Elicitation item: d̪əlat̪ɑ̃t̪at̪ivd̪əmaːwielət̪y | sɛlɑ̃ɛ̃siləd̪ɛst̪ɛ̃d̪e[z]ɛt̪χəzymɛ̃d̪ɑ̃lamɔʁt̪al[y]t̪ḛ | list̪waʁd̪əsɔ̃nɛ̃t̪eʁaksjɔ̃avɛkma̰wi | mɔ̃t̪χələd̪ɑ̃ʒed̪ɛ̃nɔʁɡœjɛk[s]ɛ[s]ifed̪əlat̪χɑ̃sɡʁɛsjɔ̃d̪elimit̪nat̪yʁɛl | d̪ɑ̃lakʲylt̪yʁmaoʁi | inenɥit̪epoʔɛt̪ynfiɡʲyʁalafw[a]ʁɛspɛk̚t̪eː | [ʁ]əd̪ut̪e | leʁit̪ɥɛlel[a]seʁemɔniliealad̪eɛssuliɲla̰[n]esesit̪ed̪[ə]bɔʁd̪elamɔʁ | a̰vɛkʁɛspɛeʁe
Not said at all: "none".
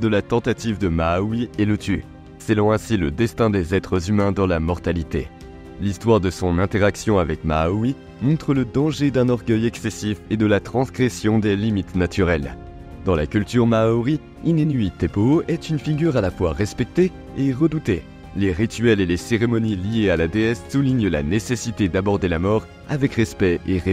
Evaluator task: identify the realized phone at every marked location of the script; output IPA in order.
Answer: z, i, s, s, a, ʁ, e, n, a

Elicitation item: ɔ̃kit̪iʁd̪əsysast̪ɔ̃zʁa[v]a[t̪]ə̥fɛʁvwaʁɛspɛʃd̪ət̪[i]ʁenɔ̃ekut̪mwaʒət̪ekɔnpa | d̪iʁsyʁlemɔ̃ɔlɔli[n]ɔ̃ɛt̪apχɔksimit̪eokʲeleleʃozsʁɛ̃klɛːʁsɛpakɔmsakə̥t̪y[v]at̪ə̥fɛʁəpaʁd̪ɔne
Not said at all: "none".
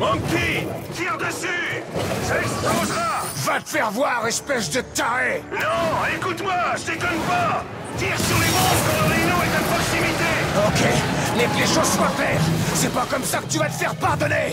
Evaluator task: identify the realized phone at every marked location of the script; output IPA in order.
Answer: v, t̪, a, n, v

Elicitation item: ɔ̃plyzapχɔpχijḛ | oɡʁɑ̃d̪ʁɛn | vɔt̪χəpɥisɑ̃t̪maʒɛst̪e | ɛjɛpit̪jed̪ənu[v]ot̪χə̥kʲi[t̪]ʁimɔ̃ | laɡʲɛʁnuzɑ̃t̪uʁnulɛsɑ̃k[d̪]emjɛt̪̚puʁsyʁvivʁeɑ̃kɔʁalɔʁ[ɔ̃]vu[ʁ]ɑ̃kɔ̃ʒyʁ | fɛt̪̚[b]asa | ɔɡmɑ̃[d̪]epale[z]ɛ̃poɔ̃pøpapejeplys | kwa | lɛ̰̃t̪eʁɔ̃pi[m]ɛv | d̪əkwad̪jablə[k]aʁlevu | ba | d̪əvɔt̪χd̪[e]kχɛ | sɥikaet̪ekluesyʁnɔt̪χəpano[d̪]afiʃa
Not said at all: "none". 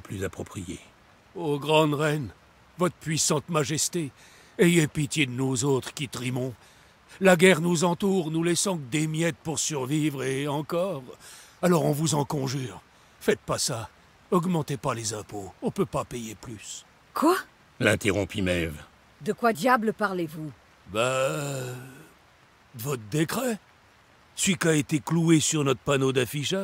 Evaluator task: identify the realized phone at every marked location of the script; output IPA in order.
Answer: z, t̪, d̪, ɔ̃, z, p, t̪, z, m, p, e, d̪

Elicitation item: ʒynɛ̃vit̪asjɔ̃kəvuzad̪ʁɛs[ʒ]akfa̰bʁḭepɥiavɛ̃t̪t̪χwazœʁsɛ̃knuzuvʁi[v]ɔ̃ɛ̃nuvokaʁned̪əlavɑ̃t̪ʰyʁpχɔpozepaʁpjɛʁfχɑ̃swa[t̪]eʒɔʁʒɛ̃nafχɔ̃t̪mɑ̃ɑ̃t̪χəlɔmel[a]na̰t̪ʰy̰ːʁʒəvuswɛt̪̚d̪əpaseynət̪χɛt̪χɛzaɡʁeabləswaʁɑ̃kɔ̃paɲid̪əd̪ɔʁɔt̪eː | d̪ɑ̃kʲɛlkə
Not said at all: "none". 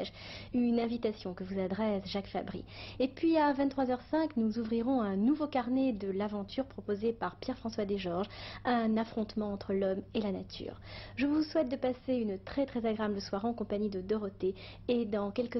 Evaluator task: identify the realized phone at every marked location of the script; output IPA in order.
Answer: ʒ, ʁ, d̪, a

